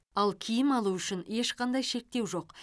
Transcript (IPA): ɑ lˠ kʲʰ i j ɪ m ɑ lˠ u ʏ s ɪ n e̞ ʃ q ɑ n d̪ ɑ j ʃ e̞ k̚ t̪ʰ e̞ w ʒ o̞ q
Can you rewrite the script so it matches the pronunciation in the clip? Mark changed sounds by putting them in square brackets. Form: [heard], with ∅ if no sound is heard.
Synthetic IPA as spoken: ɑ lˠ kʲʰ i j ɪ m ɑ lˠ u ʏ [ʃ] ɪ n e̞ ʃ q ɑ n d̪ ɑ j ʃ e̞ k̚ [t̪] e̞ w ʒ o̞ q